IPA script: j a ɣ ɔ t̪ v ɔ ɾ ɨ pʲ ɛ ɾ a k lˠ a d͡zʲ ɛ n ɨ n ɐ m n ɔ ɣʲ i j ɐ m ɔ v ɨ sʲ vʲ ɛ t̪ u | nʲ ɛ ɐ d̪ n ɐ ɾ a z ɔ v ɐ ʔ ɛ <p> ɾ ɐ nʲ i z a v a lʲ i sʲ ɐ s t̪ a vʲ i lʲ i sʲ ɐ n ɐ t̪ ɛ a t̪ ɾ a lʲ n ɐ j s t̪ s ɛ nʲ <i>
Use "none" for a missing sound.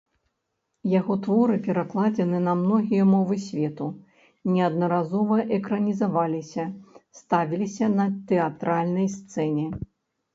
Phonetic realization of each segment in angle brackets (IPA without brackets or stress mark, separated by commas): k, ɛ